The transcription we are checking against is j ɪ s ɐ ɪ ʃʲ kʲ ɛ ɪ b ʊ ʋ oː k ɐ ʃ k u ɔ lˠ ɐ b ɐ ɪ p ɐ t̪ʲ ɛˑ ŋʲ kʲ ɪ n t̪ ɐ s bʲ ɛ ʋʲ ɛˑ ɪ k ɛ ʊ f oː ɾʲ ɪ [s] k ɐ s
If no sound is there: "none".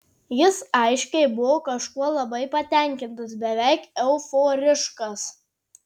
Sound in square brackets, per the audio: ʃ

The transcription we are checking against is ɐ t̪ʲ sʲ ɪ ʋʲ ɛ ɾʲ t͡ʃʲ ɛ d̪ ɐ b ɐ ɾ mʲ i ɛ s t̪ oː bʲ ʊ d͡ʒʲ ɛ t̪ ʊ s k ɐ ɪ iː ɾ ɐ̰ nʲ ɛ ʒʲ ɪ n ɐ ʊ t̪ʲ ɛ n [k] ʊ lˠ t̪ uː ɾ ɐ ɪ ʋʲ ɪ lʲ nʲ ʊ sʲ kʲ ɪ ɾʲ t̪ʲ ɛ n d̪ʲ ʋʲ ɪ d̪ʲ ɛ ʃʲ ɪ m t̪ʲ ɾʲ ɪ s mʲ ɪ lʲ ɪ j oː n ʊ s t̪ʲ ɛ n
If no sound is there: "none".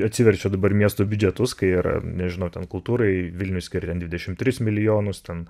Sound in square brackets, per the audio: k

